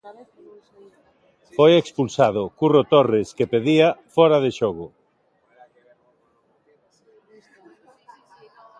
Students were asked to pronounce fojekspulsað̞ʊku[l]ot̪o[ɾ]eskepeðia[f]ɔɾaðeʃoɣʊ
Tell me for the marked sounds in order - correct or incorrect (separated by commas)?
incorrect, incorrect, correct